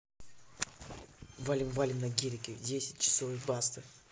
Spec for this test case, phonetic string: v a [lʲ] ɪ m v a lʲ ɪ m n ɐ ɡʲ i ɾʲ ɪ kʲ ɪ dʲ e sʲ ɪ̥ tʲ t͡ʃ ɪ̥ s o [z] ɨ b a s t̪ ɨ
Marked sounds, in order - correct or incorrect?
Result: correct, incorrect: v

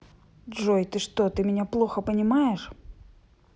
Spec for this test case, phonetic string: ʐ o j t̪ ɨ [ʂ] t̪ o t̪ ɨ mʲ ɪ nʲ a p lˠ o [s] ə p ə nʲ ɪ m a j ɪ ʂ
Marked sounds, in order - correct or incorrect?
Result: correct, incorrect: x

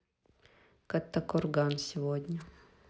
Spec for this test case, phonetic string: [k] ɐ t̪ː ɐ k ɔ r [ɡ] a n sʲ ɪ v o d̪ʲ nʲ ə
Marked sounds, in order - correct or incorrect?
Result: correct, correct

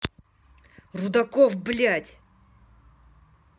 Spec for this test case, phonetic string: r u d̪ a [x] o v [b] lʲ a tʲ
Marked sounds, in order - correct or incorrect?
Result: incorrect: k, correct

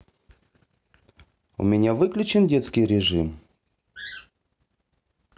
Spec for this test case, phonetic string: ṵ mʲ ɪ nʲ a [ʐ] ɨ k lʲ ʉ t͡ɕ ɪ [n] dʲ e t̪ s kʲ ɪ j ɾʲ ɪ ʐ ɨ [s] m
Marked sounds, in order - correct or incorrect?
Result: incorrect: v, correct, incorrect: none

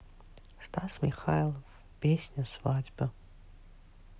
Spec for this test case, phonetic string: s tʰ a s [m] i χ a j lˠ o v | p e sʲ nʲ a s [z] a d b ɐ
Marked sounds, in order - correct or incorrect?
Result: correct, incorrect: v

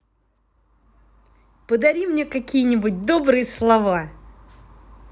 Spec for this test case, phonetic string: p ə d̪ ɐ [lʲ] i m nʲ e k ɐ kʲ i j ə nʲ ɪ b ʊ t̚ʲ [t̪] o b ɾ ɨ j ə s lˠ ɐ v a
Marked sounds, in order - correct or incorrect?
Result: incorrect: ɾʲ, incorrect: d̪

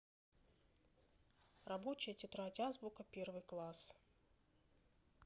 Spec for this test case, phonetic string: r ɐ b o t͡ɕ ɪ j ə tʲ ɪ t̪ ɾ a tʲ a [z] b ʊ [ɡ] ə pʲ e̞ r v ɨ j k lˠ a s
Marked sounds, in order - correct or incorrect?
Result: correct, incorrect: k

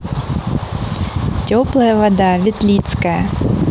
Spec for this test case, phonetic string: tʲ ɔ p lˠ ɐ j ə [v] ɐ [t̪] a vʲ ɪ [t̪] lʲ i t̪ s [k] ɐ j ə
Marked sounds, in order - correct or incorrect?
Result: correct, incorrect: d̪, correct, correct

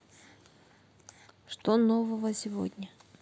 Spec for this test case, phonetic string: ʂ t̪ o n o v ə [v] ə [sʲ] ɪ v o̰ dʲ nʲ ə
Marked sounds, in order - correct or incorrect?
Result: correct, correct

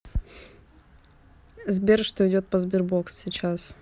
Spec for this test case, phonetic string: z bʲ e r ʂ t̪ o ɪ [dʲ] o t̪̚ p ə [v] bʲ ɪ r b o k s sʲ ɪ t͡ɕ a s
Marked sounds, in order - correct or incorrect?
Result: correct, incorrect: z

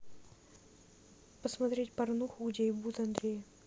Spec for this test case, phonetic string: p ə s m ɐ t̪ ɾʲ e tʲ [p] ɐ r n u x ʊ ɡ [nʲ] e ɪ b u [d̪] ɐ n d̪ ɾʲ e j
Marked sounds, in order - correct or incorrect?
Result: correct, incorrect: dʲ, incorrect: t̪

